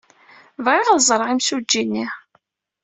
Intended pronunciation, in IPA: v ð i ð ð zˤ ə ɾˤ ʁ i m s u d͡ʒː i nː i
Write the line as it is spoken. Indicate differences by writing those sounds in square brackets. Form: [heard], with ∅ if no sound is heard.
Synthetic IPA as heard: v [ʁ] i [ʁ] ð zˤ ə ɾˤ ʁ i m s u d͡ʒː i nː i